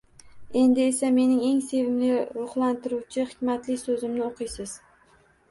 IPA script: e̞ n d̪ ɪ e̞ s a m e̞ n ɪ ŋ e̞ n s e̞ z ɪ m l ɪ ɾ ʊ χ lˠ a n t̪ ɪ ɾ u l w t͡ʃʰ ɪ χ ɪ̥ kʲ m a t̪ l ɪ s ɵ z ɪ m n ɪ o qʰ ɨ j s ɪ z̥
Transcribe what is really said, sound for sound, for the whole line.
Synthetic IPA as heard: e̞ n d̪ ɪ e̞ s a m e̞ n ɪ ŋ e̞ ŋ s e̞ v ɪ m l ɪ ɾ ʊ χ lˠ a n t̪ ɪ ɾ u w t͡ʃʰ ɪ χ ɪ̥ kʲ m a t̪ l ɪ s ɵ z ɪ m n ɪ o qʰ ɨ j s ɪ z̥